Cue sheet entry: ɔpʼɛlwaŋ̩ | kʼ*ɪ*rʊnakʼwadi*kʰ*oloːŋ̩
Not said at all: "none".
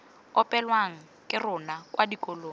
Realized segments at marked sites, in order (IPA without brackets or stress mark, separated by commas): ɪ, k